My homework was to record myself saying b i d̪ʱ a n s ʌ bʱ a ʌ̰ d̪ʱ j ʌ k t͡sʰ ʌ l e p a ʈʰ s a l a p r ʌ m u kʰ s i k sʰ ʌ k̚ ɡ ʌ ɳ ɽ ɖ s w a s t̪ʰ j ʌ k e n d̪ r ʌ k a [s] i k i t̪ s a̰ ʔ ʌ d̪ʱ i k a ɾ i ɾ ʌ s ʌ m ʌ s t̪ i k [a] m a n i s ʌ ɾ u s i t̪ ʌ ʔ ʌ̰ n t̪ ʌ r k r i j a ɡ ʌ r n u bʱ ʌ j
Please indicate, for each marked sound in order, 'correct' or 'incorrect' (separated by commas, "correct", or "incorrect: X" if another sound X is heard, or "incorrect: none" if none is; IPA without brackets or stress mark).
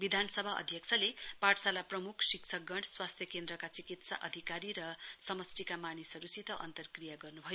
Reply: incorrect: t͡s, correct